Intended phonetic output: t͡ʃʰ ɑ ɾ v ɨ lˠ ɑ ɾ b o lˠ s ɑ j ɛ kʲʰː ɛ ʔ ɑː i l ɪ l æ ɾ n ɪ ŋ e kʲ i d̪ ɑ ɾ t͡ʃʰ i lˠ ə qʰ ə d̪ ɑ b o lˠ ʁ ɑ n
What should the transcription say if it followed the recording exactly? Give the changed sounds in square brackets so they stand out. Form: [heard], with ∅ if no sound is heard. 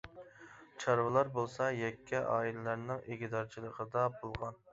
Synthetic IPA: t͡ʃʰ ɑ ɾ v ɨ lˠ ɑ ɾ b o lˠ s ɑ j ɛ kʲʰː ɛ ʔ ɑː i l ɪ l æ ɾ n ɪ ŋ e [ɡʲ] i d̪ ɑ ɾ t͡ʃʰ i lˠ ə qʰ ə d̪ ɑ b o lˠ ʁ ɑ n